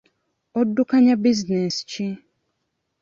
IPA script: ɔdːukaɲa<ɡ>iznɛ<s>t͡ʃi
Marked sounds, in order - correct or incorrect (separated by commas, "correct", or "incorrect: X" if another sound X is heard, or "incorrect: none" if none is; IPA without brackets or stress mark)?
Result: incorrect: b, correct